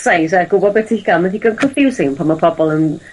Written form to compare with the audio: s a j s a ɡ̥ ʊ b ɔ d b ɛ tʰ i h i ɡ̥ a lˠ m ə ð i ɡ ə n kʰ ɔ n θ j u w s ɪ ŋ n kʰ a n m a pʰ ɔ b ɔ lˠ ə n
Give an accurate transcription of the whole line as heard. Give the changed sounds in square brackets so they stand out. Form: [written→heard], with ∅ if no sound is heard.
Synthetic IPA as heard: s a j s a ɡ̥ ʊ b ɔ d b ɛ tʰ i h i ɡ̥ a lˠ m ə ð i ɡ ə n kʰ ɔ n [θ→f] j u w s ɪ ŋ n [kʰ→pʰ] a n m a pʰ ɔ b ɔ lˠ ə n

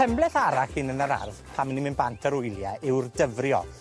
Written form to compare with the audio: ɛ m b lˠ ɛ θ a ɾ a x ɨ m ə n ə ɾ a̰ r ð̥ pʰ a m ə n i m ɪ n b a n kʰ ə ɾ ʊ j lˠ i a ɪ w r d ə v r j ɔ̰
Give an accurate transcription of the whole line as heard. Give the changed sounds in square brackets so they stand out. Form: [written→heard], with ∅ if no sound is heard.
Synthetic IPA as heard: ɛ m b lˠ ɛ θ a ɾ a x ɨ [m→n] ə n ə ɾ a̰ r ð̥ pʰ a m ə n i m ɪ n b a n [kʰ→tʰ] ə ɾ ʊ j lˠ [i→j] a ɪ w r d ə v r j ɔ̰

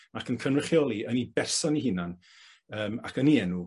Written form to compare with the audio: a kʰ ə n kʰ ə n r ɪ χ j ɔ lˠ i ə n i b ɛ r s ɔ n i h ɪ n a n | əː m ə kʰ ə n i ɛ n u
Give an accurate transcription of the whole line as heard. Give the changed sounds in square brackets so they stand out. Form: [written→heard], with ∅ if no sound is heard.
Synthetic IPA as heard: a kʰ ə n kʰ ə n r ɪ χ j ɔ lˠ i ə n i b ɛ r s ɔ n i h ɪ n a n | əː m [ə→a] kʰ ə n i ɛ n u

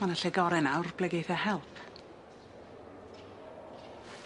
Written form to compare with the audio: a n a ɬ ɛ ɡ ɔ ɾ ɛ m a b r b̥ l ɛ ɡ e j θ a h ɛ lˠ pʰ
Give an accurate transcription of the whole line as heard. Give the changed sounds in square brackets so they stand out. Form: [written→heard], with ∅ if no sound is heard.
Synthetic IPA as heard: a n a ɬ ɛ ɡ ɔ ɾ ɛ [m→n] a [b→w] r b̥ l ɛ ɡ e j θ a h ɛ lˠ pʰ

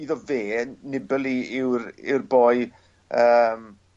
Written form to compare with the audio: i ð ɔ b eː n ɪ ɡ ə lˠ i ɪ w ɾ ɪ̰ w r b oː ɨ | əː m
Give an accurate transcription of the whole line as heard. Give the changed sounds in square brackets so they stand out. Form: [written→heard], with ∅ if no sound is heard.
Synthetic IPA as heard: i ð ɔ [b→v] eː n ɪ [ɡ→b] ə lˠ i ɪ w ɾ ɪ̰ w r b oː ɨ | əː m

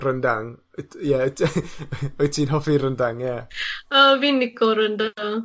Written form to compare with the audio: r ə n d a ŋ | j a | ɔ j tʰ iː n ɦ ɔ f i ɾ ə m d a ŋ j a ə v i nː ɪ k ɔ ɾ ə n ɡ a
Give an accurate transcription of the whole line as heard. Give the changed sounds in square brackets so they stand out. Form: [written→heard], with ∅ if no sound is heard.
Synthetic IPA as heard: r ə n d a ŋ | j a | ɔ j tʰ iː n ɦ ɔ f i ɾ ə [m→n] d a ŋ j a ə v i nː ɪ k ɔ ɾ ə n [ɡ→d] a

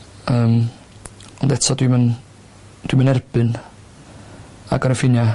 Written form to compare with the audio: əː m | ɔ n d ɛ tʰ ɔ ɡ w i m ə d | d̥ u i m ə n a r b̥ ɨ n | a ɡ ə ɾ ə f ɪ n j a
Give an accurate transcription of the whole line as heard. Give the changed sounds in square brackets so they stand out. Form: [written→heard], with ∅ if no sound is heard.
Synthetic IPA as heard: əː m | ɔ n d ɛ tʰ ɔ [ɡ→d] w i m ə [d→n] | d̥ [u→w] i m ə n [a→ɛ] r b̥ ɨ n | a ɡ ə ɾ ə f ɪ n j a

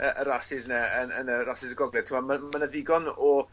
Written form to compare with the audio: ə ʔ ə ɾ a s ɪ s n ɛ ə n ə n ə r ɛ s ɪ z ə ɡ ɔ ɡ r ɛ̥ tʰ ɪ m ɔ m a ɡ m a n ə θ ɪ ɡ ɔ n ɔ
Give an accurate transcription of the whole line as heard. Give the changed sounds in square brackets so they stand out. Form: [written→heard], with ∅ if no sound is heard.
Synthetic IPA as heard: ə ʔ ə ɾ a s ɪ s n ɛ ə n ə n ə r [ɛ→a] s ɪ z ə ɡ ɔ ɡ [r→l] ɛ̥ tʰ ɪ m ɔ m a [ɡ→∅] m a n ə [θ→ð] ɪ ɡ ɔ n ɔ

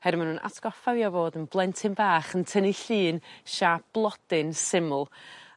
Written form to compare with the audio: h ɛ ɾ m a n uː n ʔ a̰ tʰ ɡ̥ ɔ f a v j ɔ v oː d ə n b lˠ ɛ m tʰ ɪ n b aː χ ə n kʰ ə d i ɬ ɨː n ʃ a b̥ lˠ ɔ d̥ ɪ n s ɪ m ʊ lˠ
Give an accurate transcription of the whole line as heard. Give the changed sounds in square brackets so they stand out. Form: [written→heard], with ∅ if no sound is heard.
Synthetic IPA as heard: h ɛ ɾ m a n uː n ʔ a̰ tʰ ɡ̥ ɔ f a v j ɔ v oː d ə n b lˠ ɛ [m→n] tʰ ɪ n b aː χ ə n [kʰ→tʰ] ə [d→n] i ɬ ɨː n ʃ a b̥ lˠ ɔ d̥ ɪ n s ɪ m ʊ lˠ

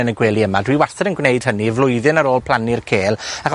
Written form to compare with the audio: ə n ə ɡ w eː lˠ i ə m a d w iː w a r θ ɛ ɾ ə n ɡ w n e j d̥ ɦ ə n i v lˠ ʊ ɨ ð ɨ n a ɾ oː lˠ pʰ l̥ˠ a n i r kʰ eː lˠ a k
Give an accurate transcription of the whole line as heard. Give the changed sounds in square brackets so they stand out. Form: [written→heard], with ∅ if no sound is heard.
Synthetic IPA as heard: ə n ə ɡ w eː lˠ i ə m a d w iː w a r θ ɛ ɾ ə n ɡ w n e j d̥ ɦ ə n i v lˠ ʊ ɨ ð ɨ n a ɾ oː lˠ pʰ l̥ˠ a n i r kʰ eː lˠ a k

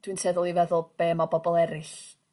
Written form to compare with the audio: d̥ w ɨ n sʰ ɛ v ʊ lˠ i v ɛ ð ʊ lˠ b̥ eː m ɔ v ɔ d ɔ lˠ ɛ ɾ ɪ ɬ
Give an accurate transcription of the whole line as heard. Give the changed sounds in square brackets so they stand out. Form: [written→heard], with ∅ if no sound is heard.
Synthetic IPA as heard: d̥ w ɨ n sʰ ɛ [v→ð] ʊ lˠ i v ɛ ð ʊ lˠ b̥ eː m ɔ [v→b] ɔ [d→b] ɔ lˠ ɛ ɾ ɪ ɬ

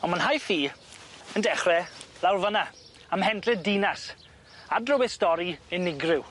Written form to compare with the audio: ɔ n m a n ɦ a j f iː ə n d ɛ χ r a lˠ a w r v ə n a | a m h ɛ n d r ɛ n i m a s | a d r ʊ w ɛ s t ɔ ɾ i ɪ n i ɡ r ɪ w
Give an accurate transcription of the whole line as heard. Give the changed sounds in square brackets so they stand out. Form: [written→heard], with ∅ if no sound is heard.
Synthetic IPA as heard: ɔ n m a n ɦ a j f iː ə n d ɛ χ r [a→ɛ] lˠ a w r v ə n a | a m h ɛ n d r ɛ [n→d] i [m→n] a s | a d r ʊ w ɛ s t ɔ ɾ i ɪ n [i→ɪ] ɡ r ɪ w

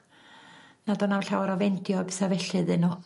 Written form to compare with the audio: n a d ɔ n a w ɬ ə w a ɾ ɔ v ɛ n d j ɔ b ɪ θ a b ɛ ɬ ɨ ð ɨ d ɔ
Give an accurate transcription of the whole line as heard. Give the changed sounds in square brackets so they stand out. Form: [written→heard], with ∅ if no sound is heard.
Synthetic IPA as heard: n a d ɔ n a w ɬ [ə→a] w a ɾ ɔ v ɛ n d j ɔ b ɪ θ a [b→v] ɛ ɬ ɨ ð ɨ [d→n] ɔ

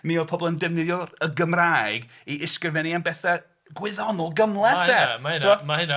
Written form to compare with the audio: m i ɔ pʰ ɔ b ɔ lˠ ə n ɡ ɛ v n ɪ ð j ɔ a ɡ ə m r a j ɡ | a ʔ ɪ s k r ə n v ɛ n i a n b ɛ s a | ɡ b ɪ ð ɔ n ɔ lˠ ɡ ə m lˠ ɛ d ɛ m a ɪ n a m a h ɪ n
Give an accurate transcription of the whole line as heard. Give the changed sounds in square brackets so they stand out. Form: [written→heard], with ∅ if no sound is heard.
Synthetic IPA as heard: m i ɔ pʰ ɔ b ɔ lˠ ə n [ɡ→d] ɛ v n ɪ ð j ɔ [a→ə] ɡ ə m r a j ɡ | [a→i] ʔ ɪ s k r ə [n→∅] v ɛ n i a n b ɛ [s→θ] a | ɡ [b→w] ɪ ð ɔ n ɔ lˠ ɡ ə m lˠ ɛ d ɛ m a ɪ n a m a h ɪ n

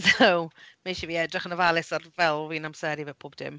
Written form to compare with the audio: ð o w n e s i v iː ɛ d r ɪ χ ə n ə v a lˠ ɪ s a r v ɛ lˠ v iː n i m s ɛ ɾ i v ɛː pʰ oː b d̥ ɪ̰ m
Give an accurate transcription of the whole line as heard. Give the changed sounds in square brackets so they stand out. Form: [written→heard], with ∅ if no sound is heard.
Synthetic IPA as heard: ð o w [n→m] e [s→ʃ] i v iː ɛ d r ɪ χ ə n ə v a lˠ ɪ s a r v ɛ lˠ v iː n [i→a] m s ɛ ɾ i v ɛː pʰ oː b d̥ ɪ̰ m

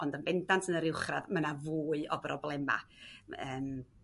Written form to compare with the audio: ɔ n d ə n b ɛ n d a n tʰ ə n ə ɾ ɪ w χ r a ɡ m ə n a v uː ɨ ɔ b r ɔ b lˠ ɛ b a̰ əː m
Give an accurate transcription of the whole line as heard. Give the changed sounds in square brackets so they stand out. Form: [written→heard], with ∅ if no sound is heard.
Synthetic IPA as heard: ɔ n d ə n b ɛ n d a n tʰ ə n ə ɾ ɪ w χ r a [ɡ→d] m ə n a v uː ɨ ɔ b r ɔ b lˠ ɛ [b→m] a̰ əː m

